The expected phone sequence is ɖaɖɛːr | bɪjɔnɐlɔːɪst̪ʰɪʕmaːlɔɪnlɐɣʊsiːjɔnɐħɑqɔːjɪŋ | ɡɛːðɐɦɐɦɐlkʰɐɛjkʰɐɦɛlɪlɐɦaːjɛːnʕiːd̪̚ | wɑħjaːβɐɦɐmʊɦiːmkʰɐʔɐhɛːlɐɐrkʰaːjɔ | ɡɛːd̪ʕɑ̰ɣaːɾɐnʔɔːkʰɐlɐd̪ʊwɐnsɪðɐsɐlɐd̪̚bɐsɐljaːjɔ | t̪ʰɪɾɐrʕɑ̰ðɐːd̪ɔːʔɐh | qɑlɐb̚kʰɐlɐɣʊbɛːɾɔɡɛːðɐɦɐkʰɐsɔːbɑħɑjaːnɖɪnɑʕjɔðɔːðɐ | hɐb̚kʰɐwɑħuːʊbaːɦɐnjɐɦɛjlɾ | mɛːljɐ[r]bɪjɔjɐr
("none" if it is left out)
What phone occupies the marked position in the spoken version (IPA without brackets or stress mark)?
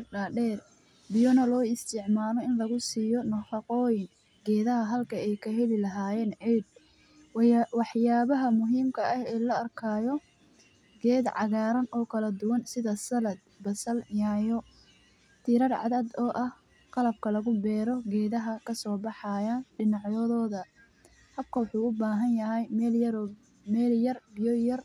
r